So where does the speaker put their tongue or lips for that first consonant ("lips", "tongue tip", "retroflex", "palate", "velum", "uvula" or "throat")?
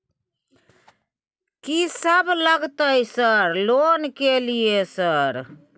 velum